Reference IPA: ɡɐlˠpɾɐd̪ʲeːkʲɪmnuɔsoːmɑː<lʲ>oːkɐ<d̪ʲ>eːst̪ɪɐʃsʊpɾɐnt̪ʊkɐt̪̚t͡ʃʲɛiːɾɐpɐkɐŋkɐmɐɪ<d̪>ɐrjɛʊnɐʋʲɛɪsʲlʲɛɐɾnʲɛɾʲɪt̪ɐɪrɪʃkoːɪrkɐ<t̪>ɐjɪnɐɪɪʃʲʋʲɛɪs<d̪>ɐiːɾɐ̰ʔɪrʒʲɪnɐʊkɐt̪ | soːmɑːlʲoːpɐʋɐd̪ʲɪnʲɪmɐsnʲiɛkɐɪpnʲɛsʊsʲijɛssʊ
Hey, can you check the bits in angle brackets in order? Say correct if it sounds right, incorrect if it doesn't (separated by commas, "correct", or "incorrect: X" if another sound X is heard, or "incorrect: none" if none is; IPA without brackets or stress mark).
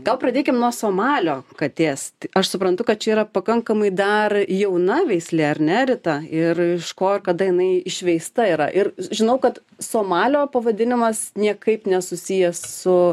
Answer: correct, incorrect: t̪ʲ, correct, incorrect: d̪, incorrect: t̪